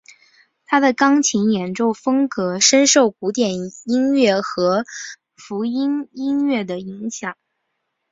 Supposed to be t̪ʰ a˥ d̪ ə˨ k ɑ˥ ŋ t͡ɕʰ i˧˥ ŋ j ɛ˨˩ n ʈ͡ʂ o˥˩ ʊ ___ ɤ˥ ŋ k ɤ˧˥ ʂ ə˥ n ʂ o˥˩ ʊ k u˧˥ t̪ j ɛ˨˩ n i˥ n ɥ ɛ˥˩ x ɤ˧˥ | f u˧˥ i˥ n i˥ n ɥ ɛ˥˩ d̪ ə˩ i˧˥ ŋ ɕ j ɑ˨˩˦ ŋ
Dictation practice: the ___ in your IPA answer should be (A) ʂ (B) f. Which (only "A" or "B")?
B